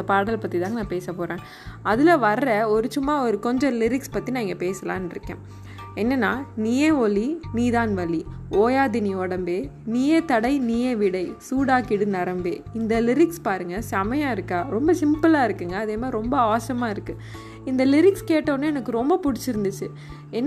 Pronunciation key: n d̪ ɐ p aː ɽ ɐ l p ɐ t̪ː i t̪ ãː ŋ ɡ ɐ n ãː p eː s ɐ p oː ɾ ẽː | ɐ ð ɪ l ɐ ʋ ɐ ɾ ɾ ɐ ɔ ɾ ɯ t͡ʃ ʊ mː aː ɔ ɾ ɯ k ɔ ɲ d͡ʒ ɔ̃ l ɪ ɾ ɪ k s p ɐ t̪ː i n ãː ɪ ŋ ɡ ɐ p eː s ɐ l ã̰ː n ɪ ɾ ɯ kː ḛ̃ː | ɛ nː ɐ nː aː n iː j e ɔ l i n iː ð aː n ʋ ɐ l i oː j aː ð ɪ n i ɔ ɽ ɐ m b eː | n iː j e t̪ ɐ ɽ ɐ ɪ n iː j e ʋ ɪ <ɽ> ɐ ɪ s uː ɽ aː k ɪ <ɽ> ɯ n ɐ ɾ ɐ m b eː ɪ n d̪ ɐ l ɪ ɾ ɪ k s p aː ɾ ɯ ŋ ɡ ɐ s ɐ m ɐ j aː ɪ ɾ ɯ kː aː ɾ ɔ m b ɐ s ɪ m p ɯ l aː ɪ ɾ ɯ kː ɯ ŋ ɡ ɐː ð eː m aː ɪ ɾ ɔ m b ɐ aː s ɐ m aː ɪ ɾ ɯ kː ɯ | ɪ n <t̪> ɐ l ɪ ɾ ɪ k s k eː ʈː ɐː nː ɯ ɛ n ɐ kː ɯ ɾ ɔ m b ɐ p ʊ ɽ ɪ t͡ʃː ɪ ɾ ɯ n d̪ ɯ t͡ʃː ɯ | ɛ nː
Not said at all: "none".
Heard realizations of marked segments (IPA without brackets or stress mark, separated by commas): ɽ, ɽ, d̪